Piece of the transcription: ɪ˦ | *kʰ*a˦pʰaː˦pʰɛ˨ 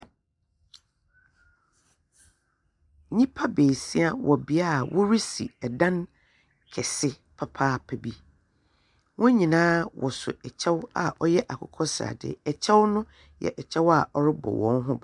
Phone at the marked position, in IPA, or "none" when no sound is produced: pʰ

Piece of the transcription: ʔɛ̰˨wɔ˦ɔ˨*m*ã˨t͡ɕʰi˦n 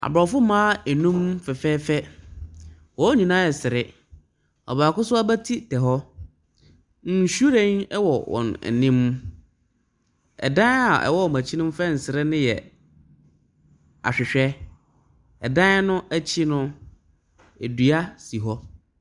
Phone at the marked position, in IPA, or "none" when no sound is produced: m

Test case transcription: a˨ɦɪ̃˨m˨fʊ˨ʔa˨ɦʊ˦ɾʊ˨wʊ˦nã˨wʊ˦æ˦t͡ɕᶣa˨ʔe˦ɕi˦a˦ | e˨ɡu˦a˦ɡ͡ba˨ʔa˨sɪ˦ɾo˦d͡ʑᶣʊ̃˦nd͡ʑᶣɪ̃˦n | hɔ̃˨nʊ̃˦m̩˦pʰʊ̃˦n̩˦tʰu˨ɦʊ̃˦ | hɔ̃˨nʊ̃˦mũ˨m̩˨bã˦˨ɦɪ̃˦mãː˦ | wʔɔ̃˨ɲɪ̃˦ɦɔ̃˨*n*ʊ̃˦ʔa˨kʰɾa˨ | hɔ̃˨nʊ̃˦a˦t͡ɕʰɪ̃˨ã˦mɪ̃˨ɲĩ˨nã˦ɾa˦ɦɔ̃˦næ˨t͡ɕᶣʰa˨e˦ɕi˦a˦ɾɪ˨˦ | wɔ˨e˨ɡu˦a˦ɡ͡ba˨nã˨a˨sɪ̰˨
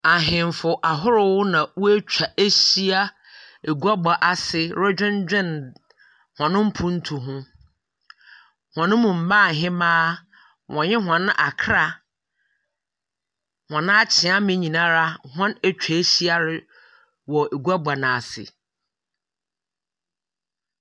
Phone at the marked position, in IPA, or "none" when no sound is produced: n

